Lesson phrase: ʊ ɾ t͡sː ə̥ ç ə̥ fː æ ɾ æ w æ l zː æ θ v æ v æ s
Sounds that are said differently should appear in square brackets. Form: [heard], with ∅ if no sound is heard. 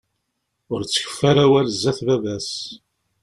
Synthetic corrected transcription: ʊ ɾ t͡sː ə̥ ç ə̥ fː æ ɾ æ w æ l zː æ θ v æ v æ s

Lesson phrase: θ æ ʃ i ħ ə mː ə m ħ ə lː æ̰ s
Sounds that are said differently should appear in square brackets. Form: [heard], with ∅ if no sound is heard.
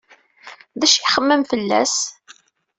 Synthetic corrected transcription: [ð] æ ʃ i [χ] ə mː ə m [f] ə lː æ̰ s

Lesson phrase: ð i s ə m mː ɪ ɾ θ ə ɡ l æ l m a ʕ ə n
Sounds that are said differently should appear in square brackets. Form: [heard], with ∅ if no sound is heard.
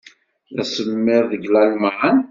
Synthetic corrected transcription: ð [æ] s ə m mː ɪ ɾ [ð] ə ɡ l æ l m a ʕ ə n

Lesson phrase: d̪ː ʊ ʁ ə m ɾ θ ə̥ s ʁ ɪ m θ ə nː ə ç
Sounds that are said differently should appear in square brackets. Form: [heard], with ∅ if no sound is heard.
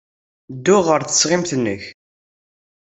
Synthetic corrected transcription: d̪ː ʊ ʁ ə [∅] ɾ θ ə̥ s ʁ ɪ m θ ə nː ə ç

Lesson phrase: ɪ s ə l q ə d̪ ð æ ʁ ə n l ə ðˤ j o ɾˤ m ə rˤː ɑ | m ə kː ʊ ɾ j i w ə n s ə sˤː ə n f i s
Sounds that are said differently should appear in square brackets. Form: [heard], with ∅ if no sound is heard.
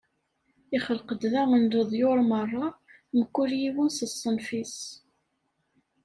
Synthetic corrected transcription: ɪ [χ] ə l q ə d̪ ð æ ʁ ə n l ə ðˤ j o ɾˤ m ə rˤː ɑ | m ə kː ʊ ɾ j i w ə n s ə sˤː ə n f i s

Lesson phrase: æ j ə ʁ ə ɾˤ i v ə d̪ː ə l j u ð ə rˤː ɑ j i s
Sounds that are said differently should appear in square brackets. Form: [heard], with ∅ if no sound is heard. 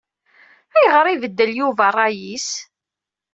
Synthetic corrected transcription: æ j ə ʁ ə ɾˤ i v ə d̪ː ə l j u [v] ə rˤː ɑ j i s

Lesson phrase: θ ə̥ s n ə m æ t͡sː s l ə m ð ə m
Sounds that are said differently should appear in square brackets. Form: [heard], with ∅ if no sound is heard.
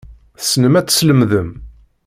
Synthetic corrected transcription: θ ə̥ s n ə m æ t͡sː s l ə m ð ə m

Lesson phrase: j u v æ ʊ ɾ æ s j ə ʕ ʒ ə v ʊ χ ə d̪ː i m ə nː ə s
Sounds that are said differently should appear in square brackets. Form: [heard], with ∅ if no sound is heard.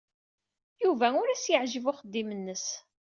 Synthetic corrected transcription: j u v æ ʊ ɾ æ s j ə ʕ ʒ ə v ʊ χ ə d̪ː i m ə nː ə s

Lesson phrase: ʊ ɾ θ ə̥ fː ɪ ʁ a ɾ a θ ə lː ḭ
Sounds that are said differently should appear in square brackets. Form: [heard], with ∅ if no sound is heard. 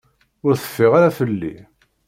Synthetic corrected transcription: ʊ ɾ θ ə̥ fː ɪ ʁ a ɾ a [f] ə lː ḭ

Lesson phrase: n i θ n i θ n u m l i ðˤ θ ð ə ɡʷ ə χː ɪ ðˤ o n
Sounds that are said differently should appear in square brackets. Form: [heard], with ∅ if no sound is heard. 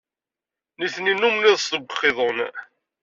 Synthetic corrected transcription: n i θ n i [∅] n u m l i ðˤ [s] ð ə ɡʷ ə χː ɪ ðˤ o n

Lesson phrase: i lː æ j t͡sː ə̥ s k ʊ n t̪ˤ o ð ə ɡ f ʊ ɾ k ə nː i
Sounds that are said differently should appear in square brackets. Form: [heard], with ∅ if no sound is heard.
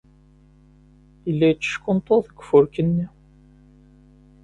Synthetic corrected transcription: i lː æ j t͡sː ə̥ [ʃ] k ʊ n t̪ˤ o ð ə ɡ f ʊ ɾ k ə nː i

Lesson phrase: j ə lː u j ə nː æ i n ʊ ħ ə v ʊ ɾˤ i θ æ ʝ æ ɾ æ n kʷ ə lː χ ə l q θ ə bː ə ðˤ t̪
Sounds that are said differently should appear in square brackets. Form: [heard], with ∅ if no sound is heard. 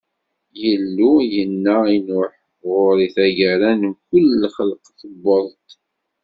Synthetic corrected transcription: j ə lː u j ə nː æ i n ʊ ħ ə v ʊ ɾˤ i θ æ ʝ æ ɾ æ n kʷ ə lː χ ə l q θ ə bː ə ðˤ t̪

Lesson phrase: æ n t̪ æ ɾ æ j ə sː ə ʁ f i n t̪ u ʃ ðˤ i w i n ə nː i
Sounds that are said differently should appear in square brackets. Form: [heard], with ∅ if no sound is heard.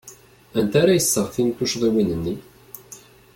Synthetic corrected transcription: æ n t̪ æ ɾ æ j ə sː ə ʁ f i n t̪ u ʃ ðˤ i w i n ə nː i

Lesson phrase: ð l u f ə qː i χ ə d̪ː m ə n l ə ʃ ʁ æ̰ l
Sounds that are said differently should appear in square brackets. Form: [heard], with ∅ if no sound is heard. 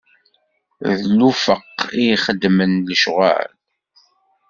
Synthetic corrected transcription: ð l u f ə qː i χ ə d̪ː m ə n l ə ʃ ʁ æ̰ l

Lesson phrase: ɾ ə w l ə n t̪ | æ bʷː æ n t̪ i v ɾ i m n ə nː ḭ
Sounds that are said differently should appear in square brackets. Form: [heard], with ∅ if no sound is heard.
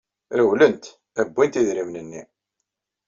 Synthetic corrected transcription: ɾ ə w l ə n t̪ | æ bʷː [i] n t̪ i [ð] ɾ i m n ə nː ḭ

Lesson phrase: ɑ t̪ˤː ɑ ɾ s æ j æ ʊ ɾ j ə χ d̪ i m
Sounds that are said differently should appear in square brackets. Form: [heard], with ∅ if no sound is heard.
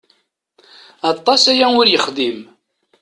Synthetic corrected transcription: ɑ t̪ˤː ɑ [∅] s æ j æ ʊ ɾ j ə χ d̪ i m

